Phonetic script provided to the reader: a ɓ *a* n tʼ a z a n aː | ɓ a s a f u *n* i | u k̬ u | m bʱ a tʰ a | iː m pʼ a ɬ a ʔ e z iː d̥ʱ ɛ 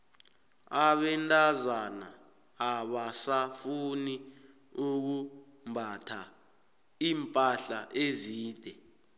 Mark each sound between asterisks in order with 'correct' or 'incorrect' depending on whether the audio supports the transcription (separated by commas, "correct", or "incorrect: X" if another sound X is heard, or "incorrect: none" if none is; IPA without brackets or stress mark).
incorrect: ɛ, correct